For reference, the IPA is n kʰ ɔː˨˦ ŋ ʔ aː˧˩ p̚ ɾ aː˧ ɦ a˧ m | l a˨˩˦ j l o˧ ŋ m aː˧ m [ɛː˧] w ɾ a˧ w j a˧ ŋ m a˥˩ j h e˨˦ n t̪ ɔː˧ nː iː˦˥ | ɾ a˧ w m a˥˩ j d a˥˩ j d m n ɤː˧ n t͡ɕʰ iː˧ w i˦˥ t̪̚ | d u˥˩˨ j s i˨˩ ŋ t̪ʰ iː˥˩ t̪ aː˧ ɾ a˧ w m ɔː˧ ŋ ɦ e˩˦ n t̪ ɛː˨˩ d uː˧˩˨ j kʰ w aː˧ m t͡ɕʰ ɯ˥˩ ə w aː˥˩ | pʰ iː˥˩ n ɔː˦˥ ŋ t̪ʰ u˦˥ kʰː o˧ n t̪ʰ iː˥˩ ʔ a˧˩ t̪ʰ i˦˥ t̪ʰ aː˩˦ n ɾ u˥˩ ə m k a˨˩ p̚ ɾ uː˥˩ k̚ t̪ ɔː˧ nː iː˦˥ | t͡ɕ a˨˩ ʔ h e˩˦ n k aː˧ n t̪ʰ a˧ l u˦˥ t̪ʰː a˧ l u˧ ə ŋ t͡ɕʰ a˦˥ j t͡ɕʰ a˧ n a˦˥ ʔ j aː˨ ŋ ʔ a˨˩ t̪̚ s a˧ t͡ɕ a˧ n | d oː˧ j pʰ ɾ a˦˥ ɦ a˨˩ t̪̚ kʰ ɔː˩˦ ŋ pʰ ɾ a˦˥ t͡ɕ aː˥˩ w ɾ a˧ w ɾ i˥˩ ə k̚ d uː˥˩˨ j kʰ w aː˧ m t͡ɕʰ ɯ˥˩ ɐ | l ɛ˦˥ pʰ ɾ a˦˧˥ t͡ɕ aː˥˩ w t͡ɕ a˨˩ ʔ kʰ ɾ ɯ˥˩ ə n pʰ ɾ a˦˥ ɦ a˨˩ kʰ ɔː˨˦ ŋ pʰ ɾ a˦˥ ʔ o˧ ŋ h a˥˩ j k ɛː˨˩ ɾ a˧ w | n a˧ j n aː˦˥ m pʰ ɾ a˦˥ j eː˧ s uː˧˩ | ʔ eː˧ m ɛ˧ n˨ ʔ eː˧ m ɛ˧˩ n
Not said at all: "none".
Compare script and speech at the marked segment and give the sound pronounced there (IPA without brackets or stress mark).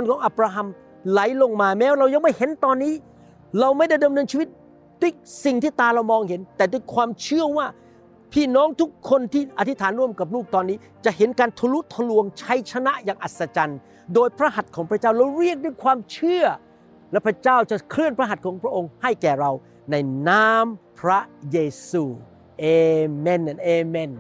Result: ɛː˦˥